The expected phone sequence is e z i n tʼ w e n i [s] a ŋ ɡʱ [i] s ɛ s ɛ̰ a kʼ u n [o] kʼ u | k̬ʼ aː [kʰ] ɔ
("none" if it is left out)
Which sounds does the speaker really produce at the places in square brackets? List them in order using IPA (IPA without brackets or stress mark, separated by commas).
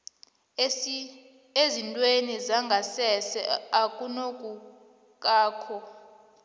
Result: z, a, o, kʰ